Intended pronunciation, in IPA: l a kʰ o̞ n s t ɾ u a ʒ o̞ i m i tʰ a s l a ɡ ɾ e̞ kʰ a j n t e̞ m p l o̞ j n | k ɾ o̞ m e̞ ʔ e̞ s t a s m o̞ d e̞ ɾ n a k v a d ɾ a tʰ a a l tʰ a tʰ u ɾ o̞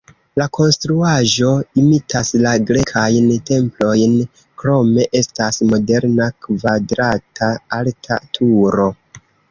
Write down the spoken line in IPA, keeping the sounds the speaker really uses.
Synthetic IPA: l a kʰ o̞ n s t ɾ u a ʒ o̞ i m i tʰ a s l a ɡ ɾ e̞ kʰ a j n t e̞ m p l o̞ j n | k ɾ o̞ m e̞ ʔ e̞ s t a s m o̞ d e̞ ɾ n a k v a d ɾ a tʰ a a l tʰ a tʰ u ɾ o̞

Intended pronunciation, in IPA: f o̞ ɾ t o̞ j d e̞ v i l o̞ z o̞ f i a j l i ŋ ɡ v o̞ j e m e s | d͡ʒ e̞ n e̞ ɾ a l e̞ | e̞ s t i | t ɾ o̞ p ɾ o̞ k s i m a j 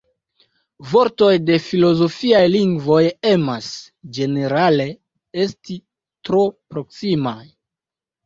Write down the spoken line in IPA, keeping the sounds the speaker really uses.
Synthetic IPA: v o̞ ɾ t o̞ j d e̞ f i l o̞ z o̞ f i a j l i ŋ ɡ v o̞ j e m a s | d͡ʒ e̞ n e̞ ɾ a l e̞ | e̞ s t i | t ɾ o̞ p ɾ o̞ k s i m a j

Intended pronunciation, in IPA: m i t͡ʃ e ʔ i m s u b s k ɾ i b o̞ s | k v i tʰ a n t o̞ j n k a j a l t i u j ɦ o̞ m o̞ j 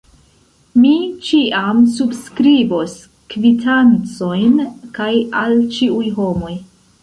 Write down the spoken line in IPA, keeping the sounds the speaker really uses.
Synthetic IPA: m i t͡ʃ i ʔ a m s u b s k ɾ i b o̞ s | k v i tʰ a n t͡s o̞ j n k a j a l t͡ʃ i u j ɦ o̞ m o̞ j

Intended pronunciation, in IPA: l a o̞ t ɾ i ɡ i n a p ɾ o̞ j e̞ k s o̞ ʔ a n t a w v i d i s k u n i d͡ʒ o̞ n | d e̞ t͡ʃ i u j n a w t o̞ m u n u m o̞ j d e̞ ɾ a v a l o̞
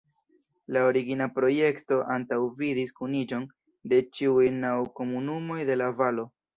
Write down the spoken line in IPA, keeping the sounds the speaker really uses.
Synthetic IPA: l a o̞ ɾ i ɡ i n a p ɾ o̞ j e̞ k t o̞ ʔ a n t a w v i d i s k u n i d͡ʒ o̞ n | d e̞ t͡ʃ i u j n a w k o̞ m u n u m o̞ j d e̞ l a v a l o̞

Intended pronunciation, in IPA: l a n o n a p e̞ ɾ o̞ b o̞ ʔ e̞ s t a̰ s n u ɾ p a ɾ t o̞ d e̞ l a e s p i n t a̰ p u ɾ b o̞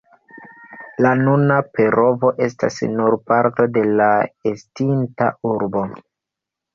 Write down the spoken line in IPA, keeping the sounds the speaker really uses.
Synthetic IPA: l a n u n a p e̞ ɾ o̞ v o̞ ʔ e̞ s t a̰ s n u ɾ p a ɾ t o̞ d e̞ l a e s t i n t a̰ u ɾ b o̞

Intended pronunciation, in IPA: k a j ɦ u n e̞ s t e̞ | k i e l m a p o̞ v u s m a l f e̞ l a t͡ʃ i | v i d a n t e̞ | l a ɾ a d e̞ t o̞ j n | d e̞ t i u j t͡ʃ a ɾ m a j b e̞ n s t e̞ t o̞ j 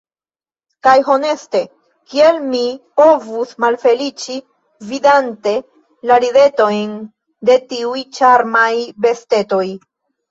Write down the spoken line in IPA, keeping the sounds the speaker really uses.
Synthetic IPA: k a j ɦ o n e̞ s t e̞ | k i e l m i p o̞ v u s m a l f e̞ l i t͡ʃ i | v i d a n t e̞ | l a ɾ i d e̞ t o̞ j n | d e̞ t i u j t͡ʃ a ɾ m a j b e̞ s t e̞ t o̞ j

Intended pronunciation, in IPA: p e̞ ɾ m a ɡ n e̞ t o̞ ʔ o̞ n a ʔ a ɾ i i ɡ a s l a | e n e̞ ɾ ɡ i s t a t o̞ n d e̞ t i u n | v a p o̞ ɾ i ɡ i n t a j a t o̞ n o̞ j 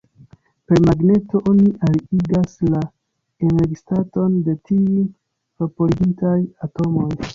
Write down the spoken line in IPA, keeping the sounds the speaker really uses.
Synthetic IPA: p e̞ ɾ m a ɡ n e̞ t o̞ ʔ o̞ n i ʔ a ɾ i i ɡ a s l a | e n e̞ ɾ ɡ i s t a t o̞ n d e̞ t i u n | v a p o̞ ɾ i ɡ i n t a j a t o̞ m o̞ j

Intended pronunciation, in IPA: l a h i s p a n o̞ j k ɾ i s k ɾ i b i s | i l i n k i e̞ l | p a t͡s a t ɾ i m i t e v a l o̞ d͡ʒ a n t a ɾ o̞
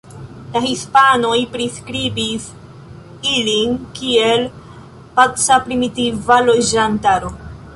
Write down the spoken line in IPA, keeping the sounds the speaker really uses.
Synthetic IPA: l a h i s p a n o̞ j p ɾ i s k ɾ i b i s | i l i n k i e̞ l | p a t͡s a p ɾ i m i t i v a l o̞ d͡ʒ a n t a ɾ o̞

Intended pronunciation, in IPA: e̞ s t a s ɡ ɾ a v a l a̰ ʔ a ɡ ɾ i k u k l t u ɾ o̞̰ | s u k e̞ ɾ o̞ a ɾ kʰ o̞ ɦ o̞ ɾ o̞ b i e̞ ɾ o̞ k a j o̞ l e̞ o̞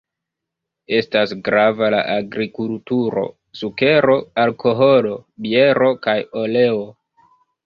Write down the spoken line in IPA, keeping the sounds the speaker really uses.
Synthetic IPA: e̞ s t a s ɡ ɾ a v a l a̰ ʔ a ɡ ɾ i k u l t u ɾ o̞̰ | s u k e̞ ɾ o̞ a l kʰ o̞ ɦ o̞ l o̞ b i e̞ ɾ o̞ k a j o̞ l e̞ o̞

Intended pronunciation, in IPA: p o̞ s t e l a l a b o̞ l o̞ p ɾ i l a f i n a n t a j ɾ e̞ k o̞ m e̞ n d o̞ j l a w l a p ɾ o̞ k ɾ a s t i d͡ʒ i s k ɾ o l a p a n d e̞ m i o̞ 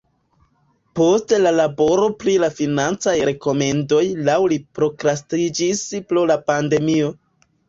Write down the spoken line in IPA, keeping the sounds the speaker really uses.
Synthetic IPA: p o̞ s t e l a l a b o̞ ɾ o̞ p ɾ i l a f i n a n t͡s a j ɾ e̞ k o̞ m e̞ n d o̞ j l a w l i p ɾ o̞ k ɾ a s t i d͡ʒ i s p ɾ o l a p a n d e̞ m i o̞

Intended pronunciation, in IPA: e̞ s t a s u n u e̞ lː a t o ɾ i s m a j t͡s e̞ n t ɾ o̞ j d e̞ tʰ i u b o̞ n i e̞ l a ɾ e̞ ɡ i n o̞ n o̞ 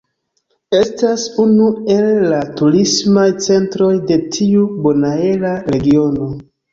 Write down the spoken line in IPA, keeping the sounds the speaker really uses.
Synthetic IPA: e̞ s t a s u n u e̞ lː a t u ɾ i s m a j t͡s e̞ n t ɾ o̞ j d e̞ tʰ i u b o̞ n a e̞ l a ɾ e̞ ɡ i o̞ n o̞

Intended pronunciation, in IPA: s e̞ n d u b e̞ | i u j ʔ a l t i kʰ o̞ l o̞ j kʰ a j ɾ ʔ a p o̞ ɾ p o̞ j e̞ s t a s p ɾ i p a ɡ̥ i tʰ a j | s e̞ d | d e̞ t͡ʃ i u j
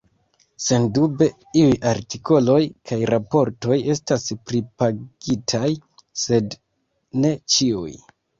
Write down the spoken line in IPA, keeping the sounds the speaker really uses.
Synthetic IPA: s e̞ n d u b e̞ | i u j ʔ a ɾ t i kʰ o̞ l o̞ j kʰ a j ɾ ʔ a p o̞ ɾ t o̞ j e̞ s t a s p ɾ i p a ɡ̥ i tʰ a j | s e̞ d | n e̞ t͡ʃ i u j

